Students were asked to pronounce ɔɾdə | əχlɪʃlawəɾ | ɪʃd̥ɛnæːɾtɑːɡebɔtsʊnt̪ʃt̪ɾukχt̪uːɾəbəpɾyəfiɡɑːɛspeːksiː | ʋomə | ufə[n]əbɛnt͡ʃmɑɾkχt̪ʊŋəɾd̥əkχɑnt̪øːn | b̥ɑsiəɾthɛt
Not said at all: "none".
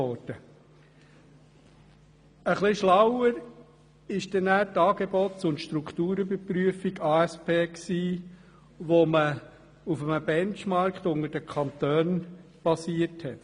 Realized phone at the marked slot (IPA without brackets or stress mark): m